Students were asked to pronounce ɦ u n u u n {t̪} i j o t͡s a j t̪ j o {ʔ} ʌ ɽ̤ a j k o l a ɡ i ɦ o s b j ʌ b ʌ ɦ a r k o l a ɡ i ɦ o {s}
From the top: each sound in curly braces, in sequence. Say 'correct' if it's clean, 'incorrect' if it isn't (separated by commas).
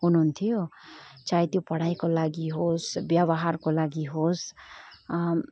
incorrect, incorrect, correct